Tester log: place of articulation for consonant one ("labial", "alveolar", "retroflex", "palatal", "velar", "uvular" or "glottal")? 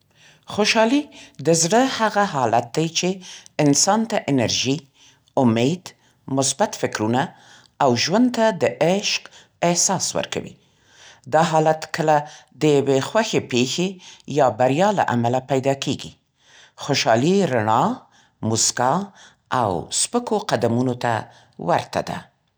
velar